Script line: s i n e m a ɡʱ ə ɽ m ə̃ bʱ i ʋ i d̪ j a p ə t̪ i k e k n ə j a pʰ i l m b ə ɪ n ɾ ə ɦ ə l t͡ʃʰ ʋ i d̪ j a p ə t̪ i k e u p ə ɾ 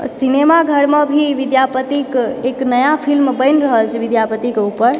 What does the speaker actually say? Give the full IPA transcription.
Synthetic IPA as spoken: s i n e m a ɡʱ ə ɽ m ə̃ bʱ i ʋ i d̪ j a p ə t̪ i k e k n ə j a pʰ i l m b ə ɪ n ɾ ə ɦ ə l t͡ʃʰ ʋ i d̪ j a p ə t̪ i k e u p ə ɾ

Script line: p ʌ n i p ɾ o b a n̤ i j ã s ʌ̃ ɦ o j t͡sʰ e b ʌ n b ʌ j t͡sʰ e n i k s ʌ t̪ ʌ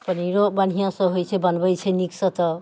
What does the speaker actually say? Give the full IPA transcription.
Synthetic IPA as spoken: p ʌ n i ɾ o b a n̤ i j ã s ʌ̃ ɦ o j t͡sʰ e b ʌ n b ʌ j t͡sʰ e n i k s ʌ t̪ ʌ

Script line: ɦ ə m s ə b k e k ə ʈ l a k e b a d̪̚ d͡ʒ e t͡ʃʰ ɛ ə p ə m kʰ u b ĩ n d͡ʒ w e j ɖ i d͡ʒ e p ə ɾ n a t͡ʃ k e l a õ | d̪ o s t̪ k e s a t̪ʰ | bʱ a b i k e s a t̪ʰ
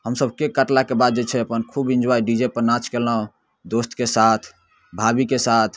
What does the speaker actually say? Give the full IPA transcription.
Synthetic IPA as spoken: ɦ ə m s ə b k e k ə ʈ l a k e b a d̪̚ d͡ʒ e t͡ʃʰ ɛ ə p ə n kʰ u b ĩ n d͡ʒ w a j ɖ i d͡ʒ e p ə ɾ n a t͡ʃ k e l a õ | d̪ o s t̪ k e s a t̪ʰ | bʱ a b i k e s a t̪ʰ

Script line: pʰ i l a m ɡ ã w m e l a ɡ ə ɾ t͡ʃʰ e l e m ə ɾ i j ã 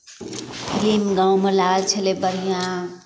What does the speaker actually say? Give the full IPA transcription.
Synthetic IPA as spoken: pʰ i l i m ɡ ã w m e l a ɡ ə l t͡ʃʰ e l e b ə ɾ i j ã

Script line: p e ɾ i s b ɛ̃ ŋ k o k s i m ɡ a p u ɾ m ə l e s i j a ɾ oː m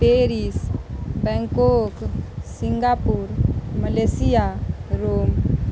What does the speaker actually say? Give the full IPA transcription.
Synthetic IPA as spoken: p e ɾ i s b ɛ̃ ŋ k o k s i ŋ ɡ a p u ɾ m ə l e s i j a ɾ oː m

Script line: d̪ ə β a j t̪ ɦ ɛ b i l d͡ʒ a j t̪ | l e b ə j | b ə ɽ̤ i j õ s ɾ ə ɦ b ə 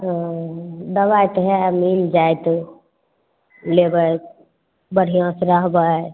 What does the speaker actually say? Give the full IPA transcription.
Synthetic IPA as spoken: d̪ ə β a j t̪ ɦ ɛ m i l d͡ʒ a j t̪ | l e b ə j | b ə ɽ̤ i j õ s ɾ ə ɦ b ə

